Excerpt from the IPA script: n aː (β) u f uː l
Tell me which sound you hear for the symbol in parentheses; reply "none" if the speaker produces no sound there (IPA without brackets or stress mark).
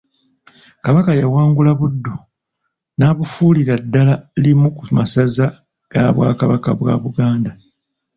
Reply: β